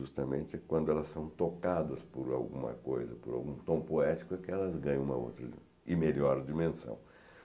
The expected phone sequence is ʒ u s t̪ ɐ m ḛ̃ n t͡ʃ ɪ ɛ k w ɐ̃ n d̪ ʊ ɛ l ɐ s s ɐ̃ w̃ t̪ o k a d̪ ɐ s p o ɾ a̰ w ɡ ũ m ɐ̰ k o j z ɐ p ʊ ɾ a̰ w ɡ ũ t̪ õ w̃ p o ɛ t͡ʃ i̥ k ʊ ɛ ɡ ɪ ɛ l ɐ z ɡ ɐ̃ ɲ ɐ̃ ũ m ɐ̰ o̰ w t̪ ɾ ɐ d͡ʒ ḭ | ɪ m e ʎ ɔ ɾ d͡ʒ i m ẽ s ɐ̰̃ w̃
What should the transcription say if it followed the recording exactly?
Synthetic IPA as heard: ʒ u s t̪ ɐ m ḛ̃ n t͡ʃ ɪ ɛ k w ɐ̃ n d̪ ʊ ɛ l ɐ s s ɐ̃ w̃ t̪ o k a d̪ ɐ s p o ɾ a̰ w ɡ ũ m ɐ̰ k o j z ɐ p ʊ ɾ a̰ w ɡ ũ t̪ õ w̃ p o ɛ t͡ʃ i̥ k ʊ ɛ k ɪ ɛ l ɐ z ɡ ɐ̃ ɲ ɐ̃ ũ m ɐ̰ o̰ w t̪ ɾ ɐ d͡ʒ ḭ | ɪ m e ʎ ɔ ɾ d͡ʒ i m ẽ s ɐ̰̃ w̃